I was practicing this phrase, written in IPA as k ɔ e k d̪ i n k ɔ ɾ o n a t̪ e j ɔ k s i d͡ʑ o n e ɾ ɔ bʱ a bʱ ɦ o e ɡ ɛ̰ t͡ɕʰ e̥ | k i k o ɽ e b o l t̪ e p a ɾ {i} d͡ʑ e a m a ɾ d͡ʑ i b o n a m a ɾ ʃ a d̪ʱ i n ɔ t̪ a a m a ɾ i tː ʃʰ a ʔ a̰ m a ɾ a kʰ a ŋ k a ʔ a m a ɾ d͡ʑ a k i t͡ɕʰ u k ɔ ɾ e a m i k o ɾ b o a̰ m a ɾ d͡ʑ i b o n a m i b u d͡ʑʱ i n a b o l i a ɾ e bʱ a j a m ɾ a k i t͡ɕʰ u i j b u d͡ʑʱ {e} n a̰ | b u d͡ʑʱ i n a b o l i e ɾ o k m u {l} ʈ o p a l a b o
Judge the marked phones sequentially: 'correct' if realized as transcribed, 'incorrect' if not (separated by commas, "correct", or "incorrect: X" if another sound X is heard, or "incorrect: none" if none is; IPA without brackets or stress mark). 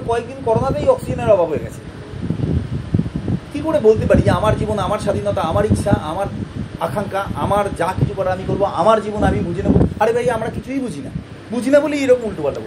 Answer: correct, incorrect: i, correct